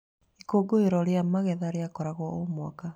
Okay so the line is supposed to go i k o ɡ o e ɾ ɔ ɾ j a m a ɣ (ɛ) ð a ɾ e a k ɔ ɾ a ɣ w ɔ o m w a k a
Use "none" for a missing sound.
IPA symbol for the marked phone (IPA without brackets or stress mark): ɛ